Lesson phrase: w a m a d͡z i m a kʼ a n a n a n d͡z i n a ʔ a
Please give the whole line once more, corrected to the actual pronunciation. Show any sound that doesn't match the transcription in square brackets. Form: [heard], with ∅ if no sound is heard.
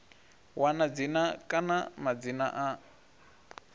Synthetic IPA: w a [n] a d͡z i [n] a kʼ a n a [m] a [∅] d͡z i n a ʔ a